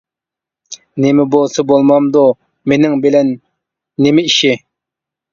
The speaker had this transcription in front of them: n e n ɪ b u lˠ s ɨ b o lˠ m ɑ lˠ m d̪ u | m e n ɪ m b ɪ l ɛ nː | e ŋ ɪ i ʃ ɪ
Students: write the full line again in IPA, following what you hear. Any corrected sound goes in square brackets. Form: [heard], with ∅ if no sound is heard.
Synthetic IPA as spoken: n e [m] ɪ b [o] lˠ s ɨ b o lˠ m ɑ [∅] m d̪ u | m e n ɪ [ŋ] b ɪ l ɛ nː | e [m] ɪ i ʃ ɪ